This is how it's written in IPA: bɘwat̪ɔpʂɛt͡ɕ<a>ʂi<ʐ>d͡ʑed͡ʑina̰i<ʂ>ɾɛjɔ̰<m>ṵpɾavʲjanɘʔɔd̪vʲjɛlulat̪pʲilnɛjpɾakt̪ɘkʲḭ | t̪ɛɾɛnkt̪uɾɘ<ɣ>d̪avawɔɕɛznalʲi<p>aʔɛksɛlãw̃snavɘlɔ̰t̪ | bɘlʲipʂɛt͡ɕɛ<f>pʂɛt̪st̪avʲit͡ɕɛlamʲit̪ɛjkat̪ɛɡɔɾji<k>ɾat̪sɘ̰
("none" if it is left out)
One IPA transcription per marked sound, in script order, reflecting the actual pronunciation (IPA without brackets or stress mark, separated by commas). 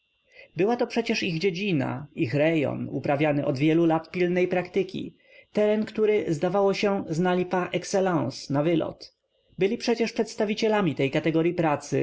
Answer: ɛ, ɣ, x, n, z, p, ʂ, p